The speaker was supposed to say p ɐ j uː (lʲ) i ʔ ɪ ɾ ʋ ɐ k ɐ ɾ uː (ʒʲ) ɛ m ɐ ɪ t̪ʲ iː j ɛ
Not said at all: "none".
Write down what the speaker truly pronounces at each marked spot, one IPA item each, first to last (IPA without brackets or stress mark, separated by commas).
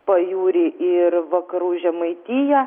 ɾʲ, ʒʲ